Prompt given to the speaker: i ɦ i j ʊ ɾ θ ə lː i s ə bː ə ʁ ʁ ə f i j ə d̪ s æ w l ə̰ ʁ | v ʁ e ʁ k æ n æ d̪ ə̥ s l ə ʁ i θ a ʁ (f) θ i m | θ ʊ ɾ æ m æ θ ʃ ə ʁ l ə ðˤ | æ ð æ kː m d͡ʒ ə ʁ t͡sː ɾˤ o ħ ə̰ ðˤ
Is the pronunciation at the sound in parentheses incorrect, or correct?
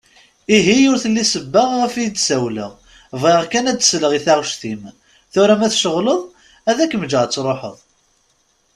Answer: incorrect